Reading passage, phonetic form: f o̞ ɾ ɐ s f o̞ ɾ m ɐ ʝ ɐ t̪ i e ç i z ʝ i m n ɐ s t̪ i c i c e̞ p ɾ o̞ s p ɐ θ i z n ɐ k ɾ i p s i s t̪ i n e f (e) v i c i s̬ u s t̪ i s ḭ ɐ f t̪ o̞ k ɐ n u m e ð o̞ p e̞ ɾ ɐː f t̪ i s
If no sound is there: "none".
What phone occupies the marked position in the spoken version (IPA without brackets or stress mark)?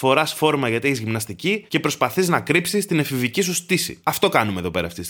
i